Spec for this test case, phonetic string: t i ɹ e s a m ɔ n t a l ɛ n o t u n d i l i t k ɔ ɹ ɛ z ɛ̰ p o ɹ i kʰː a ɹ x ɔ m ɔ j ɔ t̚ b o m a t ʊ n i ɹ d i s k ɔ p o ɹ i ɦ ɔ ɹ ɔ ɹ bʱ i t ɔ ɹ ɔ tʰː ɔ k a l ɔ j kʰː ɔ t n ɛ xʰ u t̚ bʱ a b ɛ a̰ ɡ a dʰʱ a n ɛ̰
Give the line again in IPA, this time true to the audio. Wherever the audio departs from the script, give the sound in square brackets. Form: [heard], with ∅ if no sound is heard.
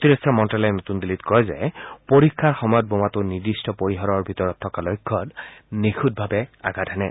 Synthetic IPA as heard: t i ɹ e s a m ɔ n t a l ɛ n o t u n d i l i t k ɔ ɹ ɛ z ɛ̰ p o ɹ i kʰː a ɹ x ɔ m ɔ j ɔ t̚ b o m a t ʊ n i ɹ d i s [t] ɔ p o ɹ i ɦ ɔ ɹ ɔ ɹ bʱ i t ɔ ɹ ɔ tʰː ɔ k a l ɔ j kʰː ɔ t n [i] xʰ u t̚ bʱ a b ɛ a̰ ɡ a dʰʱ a n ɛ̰